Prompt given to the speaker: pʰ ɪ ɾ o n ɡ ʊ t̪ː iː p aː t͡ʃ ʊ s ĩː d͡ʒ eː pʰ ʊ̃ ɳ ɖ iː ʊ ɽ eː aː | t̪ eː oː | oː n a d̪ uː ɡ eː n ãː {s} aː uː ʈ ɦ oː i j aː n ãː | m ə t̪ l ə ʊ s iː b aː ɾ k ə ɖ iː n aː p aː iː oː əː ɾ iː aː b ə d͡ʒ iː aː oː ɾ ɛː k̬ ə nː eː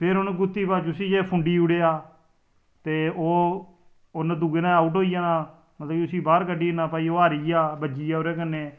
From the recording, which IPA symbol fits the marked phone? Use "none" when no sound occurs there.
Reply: none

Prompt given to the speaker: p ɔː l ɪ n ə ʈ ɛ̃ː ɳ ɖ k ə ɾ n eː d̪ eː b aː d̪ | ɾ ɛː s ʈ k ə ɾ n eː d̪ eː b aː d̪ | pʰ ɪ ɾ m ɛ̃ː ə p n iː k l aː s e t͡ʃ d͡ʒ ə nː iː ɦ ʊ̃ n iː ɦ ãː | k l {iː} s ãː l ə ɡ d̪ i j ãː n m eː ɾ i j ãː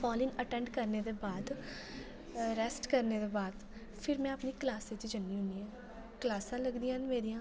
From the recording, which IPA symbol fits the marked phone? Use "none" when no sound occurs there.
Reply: aː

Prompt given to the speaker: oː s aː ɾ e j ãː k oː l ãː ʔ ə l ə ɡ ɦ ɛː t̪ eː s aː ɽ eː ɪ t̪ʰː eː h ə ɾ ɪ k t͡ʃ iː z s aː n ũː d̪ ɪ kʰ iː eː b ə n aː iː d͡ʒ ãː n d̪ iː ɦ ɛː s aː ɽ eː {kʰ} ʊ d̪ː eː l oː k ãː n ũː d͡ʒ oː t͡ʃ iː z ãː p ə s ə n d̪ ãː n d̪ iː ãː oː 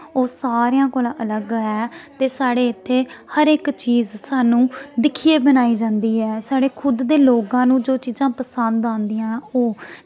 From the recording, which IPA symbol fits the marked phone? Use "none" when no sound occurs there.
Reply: kʰ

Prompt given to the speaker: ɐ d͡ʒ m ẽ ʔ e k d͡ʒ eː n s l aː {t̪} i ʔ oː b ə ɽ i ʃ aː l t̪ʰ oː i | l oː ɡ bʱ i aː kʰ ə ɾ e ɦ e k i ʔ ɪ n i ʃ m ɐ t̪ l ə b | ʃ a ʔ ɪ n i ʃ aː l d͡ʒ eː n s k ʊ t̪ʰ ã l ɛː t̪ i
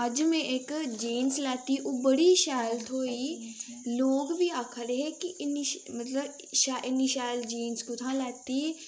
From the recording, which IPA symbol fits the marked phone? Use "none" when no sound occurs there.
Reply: t̪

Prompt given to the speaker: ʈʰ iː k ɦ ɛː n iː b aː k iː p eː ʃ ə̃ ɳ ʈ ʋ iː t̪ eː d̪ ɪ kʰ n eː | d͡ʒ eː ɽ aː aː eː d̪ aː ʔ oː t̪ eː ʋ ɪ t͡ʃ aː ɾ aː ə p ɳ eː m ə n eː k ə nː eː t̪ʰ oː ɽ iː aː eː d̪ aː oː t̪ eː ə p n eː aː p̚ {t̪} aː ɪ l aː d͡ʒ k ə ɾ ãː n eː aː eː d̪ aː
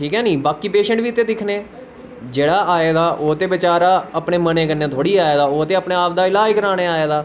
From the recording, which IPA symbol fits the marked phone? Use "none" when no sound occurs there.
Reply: d̪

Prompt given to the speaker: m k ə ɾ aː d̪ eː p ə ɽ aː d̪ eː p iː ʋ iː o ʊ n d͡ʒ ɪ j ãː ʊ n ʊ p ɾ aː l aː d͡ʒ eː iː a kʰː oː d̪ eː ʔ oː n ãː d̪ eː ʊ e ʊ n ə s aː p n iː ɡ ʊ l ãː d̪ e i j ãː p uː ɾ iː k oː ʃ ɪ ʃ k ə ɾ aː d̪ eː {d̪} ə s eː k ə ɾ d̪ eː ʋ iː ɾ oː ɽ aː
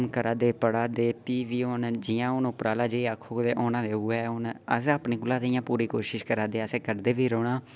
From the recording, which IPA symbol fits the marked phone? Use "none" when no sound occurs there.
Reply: none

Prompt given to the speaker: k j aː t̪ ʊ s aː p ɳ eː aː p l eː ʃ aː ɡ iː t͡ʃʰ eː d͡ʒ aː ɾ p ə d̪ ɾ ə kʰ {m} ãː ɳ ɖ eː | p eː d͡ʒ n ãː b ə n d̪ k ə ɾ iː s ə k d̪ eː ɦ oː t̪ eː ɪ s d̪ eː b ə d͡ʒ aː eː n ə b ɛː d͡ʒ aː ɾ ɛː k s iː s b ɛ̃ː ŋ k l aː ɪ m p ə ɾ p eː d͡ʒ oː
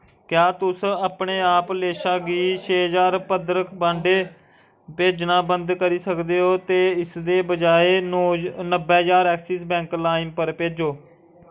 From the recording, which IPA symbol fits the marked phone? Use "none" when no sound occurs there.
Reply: b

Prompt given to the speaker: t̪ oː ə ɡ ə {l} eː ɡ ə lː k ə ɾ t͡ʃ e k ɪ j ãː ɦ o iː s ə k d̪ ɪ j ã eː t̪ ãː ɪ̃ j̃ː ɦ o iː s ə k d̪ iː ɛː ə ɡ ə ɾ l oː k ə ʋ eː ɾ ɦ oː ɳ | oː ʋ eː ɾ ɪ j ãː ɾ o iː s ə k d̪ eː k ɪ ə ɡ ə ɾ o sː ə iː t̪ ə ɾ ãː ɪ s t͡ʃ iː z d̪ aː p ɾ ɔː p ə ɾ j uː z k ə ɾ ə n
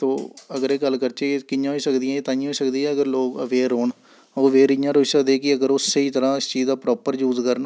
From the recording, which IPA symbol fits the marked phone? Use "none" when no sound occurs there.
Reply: ɾ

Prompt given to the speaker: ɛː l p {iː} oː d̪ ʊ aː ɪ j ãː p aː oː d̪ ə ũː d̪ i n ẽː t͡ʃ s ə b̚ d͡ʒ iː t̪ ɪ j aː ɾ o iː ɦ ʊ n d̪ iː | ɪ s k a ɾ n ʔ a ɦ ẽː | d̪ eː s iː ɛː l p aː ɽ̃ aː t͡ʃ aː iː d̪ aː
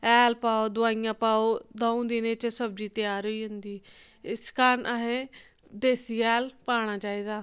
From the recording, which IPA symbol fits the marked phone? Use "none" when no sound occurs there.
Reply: aː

